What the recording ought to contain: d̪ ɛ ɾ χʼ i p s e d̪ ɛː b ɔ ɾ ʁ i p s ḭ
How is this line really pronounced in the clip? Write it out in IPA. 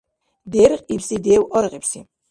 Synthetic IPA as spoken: d̪ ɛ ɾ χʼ i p s i d̪ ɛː w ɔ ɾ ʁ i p s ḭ